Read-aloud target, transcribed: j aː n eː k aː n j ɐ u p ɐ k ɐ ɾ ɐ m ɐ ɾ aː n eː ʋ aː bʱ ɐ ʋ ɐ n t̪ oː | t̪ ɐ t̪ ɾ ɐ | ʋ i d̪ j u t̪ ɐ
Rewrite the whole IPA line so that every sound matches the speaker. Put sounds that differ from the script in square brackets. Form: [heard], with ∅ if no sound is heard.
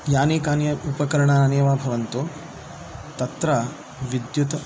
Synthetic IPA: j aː n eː k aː n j ɐ u p ɐ k ɐ ɾ ɐ [ɳ] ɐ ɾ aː n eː ʋ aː bʱ ɐ ʋ ɐ n t̪ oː | t̪ ɐ t̪ ɾ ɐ | ʋ i d̪ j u t̪ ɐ